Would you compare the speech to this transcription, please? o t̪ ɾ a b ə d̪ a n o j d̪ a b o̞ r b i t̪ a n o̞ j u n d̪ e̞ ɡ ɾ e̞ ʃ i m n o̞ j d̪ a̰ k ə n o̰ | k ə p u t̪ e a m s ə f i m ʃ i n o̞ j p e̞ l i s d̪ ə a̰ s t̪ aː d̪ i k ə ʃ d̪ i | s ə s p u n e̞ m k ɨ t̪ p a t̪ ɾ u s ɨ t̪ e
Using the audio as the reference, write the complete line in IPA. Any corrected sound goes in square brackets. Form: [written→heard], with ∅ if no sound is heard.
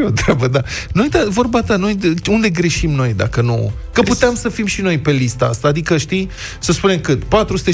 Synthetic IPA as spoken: o t̪ ɾ a b ə d̪ a n o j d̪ a [b→v] o̞ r b [i→a] t̪ a n o̞ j u n d̪ e̞ ɡ ɾ e̞ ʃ i m n o̞ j d̪ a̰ k ə n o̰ | k ə p u t̪ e a m s ə f i m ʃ i n o̞ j p e̞ l i s [d̪→t̪] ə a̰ s t̪ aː d̪ i k ə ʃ [d̪→t̪] i | s ə s p u n e̞ m k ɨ t̪ p a t̪ ɾ u s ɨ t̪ e